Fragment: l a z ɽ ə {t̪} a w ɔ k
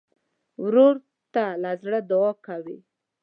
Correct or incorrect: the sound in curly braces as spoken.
incorrect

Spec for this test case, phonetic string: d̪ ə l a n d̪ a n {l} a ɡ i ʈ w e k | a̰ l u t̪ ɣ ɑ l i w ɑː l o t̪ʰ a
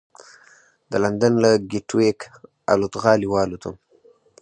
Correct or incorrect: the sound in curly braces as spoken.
correct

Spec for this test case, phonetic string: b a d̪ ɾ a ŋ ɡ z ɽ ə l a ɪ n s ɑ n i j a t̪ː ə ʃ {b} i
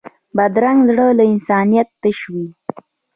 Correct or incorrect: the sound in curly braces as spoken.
incorrect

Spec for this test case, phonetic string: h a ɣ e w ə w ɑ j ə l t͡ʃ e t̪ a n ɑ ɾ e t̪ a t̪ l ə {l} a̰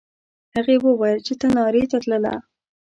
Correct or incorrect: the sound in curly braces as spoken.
correct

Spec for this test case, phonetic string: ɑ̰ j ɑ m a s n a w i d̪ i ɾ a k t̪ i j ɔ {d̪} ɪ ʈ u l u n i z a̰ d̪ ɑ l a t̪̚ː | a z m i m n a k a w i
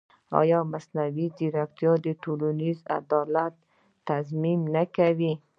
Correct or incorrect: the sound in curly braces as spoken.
correct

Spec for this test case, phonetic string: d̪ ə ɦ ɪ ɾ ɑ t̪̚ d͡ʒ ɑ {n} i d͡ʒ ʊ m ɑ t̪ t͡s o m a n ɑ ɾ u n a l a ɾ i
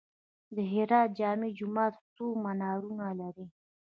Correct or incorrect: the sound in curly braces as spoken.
incorrect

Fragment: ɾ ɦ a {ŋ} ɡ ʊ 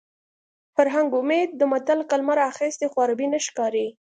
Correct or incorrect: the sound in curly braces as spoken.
correct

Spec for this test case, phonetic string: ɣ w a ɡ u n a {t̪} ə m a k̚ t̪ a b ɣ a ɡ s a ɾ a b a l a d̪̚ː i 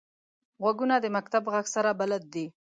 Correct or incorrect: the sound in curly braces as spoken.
incorrect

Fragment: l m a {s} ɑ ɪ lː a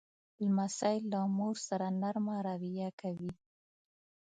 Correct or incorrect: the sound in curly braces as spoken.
correct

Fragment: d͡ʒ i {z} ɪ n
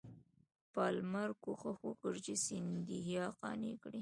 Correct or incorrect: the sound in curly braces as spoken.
incorrect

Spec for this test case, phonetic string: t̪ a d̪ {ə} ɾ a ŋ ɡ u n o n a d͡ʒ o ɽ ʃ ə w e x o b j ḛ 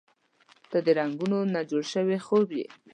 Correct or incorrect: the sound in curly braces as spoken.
correct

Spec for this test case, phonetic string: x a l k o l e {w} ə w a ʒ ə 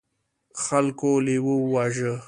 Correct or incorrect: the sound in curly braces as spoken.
correct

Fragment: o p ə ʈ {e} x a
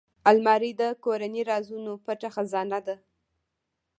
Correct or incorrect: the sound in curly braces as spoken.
incorrect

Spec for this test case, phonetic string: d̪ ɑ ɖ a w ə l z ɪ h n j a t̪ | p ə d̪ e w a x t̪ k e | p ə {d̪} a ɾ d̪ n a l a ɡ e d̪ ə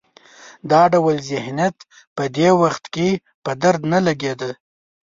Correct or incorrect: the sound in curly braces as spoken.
correct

